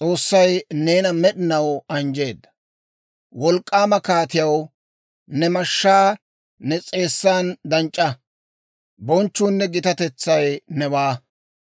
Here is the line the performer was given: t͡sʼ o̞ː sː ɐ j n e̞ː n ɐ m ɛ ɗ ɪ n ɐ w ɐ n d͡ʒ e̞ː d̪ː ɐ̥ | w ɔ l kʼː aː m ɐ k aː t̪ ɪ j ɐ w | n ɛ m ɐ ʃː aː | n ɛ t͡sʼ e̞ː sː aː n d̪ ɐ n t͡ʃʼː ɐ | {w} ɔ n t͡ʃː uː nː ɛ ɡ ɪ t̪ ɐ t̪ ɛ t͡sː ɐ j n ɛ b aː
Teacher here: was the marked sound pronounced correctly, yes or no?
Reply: no